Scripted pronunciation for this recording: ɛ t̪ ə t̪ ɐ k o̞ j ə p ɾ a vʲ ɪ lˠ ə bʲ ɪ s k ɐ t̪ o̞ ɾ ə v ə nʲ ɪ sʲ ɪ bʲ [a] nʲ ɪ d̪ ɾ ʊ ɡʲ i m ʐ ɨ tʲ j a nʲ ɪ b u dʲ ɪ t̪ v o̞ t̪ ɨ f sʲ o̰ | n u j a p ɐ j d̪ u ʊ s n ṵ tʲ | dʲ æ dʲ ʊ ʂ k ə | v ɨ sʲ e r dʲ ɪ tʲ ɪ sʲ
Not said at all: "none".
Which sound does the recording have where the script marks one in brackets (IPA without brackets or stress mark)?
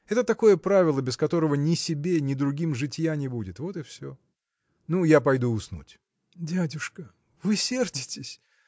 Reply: e